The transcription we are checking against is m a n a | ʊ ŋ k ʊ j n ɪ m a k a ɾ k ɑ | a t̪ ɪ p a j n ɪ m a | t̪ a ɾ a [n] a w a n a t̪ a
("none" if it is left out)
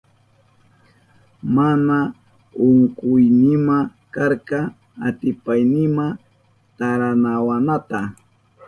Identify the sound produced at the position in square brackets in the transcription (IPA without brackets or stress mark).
n